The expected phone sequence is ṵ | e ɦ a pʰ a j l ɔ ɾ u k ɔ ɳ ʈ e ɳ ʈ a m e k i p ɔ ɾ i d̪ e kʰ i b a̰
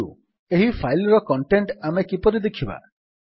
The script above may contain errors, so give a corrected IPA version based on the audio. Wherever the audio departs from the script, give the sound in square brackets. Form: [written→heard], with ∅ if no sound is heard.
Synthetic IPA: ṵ | e ɦ [a→i] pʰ a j l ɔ ɾ [u→ɔ] k ɔ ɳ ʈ e ɳ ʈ a m e k i p ɔ ɾ i d̪ e kʰ i b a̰